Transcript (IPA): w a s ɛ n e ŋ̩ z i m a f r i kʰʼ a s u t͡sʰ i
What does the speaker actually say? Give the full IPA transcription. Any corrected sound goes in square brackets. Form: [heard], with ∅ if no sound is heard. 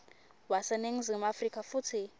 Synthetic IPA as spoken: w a s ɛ n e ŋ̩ z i m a f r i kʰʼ a [f] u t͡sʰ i